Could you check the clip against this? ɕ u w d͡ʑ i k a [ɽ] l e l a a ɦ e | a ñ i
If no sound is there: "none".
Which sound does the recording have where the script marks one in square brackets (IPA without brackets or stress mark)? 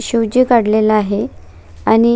ɽ